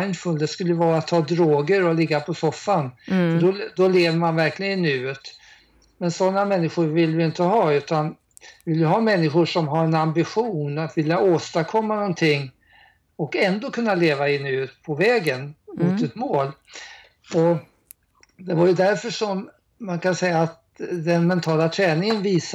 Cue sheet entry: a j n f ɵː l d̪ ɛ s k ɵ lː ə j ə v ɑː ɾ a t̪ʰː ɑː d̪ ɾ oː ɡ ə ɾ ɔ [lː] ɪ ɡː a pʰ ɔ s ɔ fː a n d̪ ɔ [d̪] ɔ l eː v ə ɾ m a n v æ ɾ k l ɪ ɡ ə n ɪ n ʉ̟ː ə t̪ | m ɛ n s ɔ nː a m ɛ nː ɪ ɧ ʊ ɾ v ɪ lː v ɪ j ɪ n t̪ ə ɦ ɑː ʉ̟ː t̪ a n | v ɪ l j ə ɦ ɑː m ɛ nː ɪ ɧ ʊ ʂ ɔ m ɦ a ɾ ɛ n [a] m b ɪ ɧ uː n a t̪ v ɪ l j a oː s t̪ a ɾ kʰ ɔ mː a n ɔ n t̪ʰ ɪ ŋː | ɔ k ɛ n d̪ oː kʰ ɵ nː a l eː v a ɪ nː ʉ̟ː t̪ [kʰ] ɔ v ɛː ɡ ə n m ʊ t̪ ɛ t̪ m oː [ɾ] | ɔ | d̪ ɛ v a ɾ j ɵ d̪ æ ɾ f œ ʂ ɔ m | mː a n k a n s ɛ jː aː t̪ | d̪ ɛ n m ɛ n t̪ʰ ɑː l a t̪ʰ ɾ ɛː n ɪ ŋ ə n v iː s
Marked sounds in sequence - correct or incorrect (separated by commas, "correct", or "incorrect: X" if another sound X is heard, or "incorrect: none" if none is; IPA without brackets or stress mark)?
incorrect: l, correct, correct, incorrect: pʰ, incorrect: l